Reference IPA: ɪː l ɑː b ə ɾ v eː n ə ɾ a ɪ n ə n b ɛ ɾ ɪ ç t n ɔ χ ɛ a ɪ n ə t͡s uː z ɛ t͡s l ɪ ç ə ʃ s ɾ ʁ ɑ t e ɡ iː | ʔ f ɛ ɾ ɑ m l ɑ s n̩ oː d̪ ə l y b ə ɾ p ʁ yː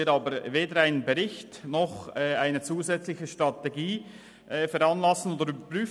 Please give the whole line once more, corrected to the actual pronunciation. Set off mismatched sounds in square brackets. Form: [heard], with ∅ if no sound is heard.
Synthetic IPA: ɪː [ɾ] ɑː b ə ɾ v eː [d] ə ɾ a ɪ n ə n b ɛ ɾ ɪ ç t n ɔ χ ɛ a ɪ n ə t͡s uː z ɛ t͡s l ɪ ç ə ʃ [t] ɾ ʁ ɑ t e ɡ iː | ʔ f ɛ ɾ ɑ [n] l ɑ s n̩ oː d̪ ə [ɾ] y b ə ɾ p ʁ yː